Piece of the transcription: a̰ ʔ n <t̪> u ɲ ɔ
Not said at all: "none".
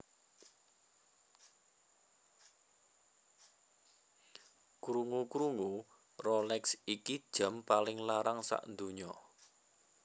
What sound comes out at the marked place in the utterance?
d̪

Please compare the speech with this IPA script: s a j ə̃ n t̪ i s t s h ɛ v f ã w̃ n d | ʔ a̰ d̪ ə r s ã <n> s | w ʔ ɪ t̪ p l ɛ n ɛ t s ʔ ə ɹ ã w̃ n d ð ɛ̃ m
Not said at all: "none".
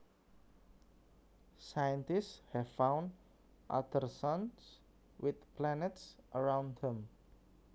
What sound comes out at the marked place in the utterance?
n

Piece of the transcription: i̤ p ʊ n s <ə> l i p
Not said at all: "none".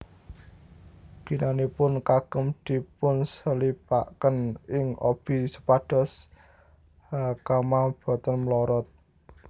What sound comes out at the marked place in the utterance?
ə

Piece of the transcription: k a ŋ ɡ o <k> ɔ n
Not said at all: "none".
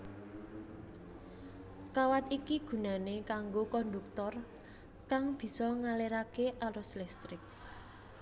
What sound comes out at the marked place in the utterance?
k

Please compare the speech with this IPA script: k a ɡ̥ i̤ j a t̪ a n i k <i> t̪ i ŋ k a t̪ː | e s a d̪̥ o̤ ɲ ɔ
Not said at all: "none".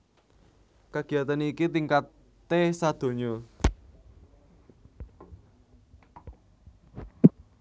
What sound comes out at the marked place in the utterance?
i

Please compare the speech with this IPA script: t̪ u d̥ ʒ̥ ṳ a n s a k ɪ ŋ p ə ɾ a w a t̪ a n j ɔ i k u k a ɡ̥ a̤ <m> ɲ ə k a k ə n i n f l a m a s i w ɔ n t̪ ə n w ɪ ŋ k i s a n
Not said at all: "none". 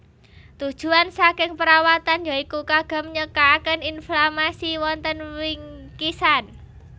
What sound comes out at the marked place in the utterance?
m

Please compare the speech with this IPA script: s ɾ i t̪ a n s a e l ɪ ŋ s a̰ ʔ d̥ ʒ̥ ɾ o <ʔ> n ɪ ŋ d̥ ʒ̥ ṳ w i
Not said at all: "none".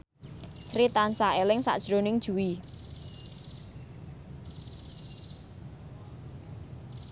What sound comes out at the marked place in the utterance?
none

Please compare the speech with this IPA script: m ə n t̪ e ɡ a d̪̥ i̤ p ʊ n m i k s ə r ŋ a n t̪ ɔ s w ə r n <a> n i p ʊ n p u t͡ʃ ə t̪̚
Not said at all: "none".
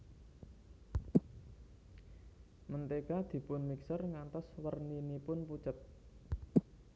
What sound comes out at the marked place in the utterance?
i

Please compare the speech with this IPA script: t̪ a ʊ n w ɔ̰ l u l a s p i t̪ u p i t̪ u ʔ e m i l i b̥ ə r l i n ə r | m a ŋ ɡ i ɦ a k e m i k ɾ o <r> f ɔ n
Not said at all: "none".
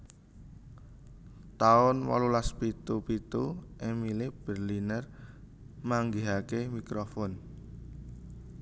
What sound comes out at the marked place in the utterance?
none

